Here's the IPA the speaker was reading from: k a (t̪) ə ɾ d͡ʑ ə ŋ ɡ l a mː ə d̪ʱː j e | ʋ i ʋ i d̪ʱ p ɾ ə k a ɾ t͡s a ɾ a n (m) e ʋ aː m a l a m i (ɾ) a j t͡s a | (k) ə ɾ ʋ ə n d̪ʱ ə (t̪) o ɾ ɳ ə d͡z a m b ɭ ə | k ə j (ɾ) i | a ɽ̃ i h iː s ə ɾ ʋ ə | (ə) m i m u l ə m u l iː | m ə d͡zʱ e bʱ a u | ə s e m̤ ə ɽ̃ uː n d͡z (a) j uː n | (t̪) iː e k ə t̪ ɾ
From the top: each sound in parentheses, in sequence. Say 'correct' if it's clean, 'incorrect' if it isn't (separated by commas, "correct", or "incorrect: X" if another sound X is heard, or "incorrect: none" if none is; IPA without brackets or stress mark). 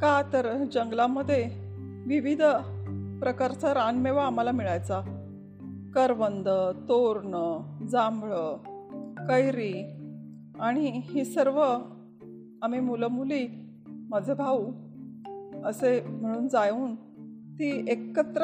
correct, correct, incorrect: ɭ, correct, correct, correct, incorrect: a, correct, correct